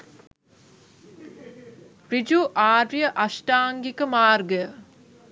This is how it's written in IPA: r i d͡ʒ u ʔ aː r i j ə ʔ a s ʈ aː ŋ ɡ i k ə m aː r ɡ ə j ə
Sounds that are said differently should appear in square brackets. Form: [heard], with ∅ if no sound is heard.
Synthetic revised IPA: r i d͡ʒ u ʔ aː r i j ə ʔ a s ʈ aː ŋ ɡ i k ə m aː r ɡ ə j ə